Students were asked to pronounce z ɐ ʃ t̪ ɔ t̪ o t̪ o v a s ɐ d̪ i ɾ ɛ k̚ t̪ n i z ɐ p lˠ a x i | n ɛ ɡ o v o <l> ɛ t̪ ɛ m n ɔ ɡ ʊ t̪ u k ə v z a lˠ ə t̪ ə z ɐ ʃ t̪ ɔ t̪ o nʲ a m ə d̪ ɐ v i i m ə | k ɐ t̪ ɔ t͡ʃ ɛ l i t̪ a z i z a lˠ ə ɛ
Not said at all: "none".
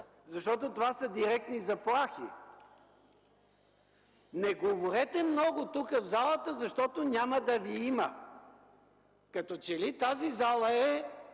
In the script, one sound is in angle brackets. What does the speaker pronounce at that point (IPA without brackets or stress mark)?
ɾ